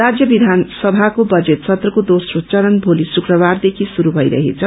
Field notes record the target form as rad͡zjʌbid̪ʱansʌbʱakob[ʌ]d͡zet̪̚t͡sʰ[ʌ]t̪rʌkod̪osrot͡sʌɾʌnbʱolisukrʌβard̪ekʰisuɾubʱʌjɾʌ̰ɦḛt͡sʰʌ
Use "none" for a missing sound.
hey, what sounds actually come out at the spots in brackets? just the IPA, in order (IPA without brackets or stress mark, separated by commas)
ʌ, ʌ